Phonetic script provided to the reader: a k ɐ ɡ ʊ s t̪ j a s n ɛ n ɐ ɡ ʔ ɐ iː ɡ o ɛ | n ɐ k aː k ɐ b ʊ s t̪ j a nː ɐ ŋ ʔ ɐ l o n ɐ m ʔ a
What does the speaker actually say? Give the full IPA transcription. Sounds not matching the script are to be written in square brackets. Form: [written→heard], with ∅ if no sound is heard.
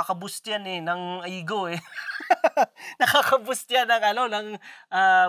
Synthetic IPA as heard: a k ɐ [ɡ→b] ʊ s t̪ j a [s→∅] n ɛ n ɐ [ɡ→ŋ] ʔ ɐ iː ɡ o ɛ | n ɐ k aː k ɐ b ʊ s t̪ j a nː ɐ ŋ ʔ ɐ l o n ɐ [m→ŋ] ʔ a